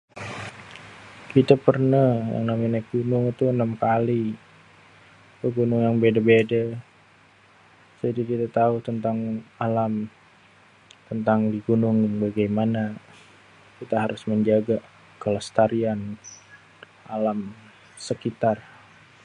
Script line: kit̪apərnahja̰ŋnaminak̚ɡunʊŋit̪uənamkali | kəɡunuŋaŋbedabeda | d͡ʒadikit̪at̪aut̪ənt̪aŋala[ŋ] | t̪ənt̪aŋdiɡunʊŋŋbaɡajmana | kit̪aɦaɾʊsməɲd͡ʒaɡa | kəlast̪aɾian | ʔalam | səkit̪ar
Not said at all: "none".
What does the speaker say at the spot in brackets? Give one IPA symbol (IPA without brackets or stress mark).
m